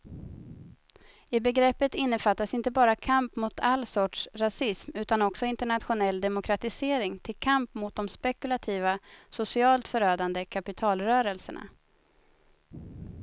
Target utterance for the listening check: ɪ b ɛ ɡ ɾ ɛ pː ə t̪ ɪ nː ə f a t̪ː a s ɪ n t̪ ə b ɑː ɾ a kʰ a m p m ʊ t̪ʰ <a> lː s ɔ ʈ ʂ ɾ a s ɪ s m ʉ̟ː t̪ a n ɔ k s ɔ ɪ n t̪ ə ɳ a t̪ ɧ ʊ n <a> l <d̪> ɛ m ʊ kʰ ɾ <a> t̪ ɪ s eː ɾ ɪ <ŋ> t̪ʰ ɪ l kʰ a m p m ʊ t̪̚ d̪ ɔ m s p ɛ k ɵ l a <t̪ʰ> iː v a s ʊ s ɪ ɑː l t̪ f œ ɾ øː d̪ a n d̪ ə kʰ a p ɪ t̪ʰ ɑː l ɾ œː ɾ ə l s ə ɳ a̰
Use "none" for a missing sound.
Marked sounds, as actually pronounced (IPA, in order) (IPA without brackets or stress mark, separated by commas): a, ɛ, d̪, a, ŋ, t̪ʰ